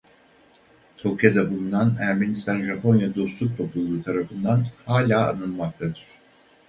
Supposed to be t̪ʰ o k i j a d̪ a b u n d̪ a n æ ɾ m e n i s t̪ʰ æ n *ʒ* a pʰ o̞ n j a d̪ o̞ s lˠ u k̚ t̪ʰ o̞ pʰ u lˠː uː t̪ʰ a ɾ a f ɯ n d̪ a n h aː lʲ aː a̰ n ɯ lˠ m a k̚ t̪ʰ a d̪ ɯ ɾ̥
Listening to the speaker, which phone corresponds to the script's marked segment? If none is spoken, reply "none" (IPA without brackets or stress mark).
ʒ